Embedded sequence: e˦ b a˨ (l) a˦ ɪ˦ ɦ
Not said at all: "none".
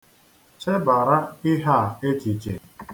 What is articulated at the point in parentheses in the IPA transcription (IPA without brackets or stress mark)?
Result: ɾ